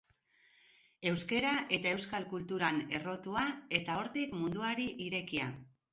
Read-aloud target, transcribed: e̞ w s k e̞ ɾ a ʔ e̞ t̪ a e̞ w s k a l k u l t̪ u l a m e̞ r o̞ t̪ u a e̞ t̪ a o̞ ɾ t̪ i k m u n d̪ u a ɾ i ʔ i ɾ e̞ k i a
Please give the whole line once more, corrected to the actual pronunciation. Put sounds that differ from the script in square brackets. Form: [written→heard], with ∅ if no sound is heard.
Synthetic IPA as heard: e̞ w s k e̞ ɾ a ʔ e̞ t̪ a e̞ w s k a l k u l t̪ u [l→ɾ] a [m→n] e̞ r o̞ t̪ u a e̞ t̪ a o̞ ɾ t̪ i k m u n d̪ u a ɾ i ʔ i ɾ e̞ k i a